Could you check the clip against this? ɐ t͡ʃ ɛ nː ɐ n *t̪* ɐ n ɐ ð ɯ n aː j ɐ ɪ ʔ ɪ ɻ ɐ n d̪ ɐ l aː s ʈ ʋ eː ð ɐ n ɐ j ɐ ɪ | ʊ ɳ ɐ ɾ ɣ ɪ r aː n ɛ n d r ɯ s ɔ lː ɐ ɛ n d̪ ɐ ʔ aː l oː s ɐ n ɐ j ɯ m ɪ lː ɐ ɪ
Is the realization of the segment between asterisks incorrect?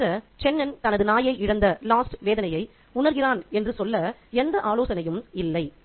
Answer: no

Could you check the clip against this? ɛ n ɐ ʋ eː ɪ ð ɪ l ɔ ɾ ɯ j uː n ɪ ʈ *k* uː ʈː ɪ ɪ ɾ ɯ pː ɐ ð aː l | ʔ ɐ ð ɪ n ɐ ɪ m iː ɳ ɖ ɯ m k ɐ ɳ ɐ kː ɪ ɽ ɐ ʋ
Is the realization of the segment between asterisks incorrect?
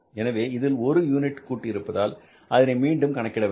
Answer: no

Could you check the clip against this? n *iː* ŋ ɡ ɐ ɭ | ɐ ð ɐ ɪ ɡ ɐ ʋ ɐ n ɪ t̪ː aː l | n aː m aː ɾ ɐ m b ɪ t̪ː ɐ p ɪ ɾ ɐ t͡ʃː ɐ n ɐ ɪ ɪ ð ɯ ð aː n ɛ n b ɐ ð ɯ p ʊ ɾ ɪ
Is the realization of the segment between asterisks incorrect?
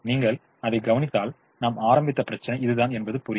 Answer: no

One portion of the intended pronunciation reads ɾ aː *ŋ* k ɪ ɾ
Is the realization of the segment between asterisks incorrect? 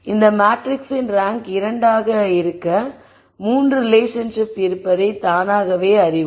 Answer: no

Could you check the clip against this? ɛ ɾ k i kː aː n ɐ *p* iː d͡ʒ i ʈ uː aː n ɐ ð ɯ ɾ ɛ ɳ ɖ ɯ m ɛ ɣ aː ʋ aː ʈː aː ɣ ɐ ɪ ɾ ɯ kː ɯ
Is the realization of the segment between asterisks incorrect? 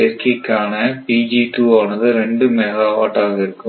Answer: no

